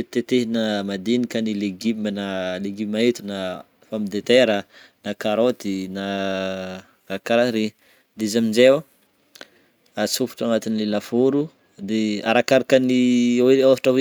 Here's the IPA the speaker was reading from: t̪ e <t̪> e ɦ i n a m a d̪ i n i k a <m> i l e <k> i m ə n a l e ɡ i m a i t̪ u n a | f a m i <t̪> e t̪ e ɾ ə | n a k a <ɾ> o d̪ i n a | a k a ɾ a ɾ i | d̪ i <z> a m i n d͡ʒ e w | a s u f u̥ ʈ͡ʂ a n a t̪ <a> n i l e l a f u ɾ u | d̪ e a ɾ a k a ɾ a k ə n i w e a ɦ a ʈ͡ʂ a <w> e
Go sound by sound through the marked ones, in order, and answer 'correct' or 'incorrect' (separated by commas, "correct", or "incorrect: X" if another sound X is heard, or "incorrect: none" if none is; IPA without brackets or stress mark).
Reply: correct, incorrect: n, incorrect: ɡ, incorrect: d̪, correct, correct, incorrect: i, correct